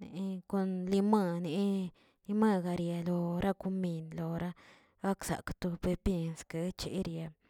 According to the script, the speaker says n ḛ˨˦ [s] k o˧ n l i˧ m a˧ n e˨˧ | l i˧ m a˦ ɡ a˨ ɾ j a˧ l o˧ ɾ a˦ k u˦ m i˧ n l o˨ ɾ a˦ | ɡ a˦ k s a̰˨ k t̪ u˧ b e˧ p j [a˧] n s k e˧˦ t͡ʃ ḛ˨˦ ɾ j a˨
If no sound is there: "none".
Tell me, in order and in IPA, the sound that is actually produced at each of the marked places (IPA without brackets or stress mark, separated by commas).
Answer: none, e˧